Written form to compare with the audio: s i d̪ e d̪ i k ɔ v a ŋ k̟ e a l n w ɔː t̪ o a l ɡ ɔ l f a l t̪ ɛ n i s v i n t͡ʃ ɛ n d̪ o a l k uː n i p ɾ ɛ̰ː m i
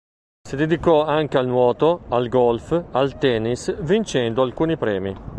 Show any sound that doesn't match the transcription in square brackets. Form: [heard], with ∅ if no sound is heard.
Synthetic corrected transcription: s i d̪ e d̪ i k ɔ [∅] a ŋ k̟ e a l n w ɔː t̪ o a l ɡ ɔ l f a l t̪ ɛ n i s v i n t͡ʃ ɛ n d̪ o a l k uː n i p ɾ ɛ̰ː m i

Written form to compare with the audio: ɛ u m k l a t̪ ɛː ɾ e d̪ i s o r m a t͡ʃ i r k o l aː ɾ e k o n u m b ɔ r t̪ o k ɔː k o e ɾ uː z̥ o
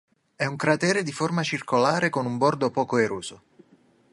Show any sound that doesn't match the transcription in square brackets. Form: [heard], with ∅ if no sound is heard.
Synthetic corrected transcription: ɛ u [ŋ] k [ɾ] a t̪ ɛː ɾ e d̪ i [f] o r m a t͡ʃ i r k o l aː ɾ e k o n u m b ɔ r [d̪] o [p] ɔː k o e ɾ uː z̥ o

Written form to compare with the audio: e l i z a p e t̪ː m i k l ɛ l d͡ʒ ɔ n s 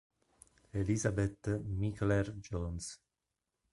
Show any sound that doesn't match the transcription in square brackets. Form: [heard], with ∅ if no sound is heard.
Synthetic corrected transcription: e l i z a [b] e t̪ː m i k l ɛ [r] d͡ʒ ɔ n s

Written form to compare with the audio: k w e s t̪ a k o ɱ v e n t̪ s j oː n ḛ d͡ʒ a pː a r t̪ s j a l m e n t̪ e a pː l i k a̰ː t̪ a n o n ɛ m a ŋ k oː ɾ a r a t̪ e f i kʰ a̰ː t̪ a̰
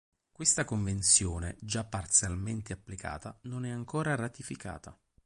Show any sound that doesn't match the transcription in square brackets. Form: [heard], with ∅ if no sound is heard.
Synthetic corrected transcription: k w e s t̪ a k o ɱ v e n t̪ s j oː n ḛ d͡ʒ a pː a r t̪ s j a l m e n t̪ e a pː l i k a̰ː t̪ a n o n ɛ [∅] a ŋ k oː ɾ a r a t̪ [i] f i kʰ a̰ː t̪ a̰

